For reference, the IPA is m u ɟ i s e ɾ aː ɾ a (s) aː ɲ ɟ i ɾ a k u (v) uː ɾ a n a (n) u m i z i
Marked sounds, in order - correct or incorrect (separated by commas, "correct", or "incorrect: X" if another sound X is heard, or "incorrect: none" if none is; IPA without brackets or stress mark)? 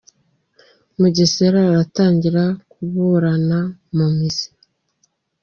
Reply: incorrect: t, incorrect: β, incorrect: m